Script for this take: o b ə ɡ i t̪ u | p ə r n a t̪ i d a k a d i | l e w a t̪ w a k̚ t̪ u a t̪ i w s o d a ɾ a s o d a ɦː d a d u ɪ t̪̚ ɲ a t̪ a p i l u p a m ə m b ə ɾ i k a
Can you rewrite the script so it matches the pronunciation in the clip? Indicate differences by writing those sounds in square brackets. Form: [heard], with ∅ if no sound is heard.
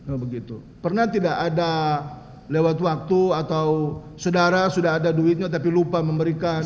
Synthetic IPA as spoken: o b ə ɡ i t̪ u | p ə r n a t̪ i d a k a d [a] | l e w a t̪ w a k̚ t̪ u a t̪ [a] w s o d a ɾ a s [u] d a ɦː d a d u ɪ t̪̚ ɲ a t̪ a p i l u p a m ə m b ə ɾ i k a